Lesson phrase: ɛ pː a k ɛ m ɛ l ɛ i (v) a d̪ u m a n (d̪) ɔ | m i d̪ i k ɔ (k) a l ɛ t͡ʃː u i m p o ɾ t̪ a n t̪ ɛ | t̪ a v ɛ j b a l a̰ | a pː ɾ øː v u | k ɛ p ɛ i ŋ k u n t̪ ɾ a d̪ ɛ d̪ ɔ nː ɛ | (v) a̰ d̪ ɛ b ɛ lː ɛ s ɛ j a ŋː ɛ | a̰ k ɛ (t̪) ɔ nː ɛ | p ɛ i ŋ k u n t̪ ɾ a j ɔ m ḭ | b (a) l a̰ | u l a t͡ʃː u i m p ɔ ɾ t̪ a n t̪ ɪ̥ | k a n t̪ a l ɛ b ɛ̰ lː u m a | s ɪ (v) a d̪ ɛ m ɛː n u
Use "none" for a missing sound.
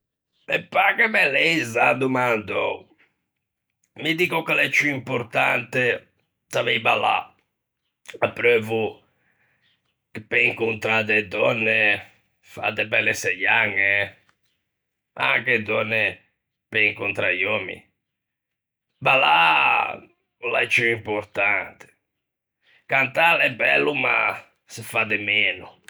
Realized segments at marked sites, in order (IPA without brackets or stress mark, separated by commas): z, d̪, k, f, d̪, a, f